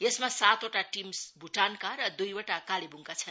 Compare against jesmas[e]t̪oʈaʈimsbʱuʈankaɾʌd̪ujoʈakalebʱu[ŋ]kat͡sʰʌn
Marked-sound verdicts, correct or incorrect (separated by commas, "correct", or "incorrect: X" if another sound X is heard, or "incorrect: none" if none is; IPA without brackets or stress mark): incorrect: a, correct